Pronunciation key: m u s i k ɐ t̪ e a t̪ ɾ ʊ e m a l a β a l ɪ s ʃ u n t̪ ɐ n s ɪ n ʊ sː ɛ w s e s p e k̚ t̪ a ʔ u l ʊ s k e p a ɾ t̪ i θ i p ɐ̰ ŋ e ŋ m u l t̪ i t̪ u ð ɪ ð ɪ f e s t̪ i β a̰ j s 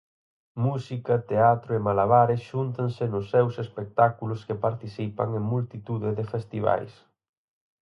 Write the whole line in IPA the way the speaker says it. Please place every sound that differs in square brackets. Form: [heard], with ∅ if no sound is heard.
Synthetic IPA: m u s i k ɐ t̪ e a t̪ ɾ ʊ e m a l a β a [ɾ] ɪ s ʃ u n t̪ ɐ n s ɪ n ʊ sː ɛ w s e s p e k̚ t̪ a [k] u l ʊ s k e p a ɾ t̪ i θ i p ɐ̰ ŋ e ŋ m u l t̪ i t̪ u ð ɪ ð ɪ f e s t̪ i β a̰ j s

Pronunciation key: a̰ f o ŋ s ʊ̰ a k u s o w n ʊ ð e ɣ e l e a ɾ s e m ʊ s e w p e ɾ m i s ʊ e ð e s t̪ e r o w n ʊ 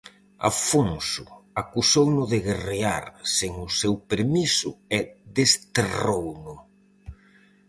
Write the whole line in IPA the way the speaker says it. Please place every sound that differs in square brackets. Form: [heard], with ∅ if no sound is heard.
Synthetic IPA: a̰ f o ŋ s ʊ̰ a k u s o w n ʊ ð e ɣ e [r] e a ɾ s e [ŋ] ʊ s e w p e ɾ m i s ʊ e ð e s t̪ e r o w n ʊ

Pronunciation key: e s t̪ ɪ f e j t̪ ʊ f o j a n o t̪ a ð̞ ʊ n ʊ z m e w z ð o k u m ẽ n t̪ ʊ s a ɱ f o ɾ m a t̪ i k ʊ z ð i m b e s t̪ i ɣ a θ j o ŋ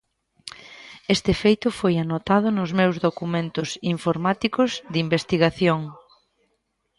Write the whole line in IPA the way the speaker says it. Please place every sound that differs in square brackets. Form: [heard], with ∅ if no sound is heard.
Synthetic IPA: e s t̪ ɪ f e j t̪ ʊ f o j a n o t̪ a ð̞ ʊ n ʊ z m e w z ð o k u m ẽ n t̪ ʊ s [i] ɱ f o ɾ m a t̪ i k ʊ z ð i m b e s t̪ i ɣ a θ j o ŋ

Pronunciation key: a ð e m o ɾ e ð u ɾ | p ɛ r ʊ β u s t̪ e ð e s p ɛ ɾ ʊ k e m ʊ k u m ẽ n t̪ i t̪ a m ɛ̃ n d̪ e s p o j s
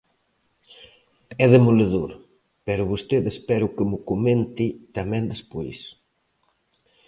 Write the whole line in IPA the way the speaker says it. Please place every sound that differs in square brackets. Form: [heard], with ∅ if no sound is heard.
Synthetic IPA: [ɛ] ð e m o [l] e ð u ɾ | p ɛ [ɾ] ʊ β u s t̪ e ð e s p ɛ ɾ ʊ k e m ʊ k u m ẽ n t̪ i t̪ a m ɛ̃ n d̪ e s p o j s

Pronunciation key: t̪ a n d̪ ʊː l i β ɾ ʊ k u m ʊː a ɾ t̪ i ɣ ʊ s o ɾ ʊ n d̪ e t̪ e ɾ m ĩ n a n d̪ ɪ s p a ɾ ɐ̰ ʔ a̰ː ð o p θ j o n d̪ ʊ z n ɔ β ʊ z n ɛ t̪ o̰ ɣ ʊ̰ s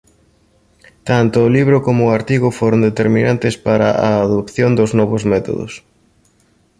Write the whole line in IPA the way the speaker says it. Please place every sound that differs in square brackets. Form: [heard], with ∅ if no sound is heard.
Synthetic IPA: t̪ a n [t̪] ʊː l i β ɾ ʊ k [o] m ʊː a ɾ t̪ i ɣ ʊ [f] o ɾ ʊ n d̪ e t̪ e ɾ m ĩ n a n [t̪] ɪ s p a ɾ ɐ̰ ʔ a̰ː ð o p θ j o n d̪ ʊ z n ɔ β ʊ z [m] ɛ t̪ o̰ [ð] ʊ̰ s

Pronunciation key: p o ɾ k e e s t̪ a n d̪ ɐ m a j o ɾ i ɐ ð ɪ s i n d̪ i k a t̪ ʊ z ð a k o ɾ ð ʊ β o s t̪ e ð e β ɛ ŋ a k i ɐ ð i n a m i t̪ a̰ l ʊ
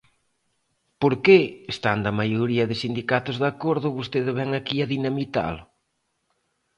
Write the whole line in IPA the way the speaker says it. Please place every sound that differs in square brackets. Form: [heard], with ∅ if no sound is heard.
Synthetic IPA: p o ɾ k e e s t̪ a n d̪ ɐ m a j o ɾ i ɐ ð ɪ s i n d̪ i k a t̪ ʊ z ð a k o ɾ ð ʊ β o s t̪ e ð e β ɛ ŋ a k i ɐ ð i n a m i t̪ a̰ l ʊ

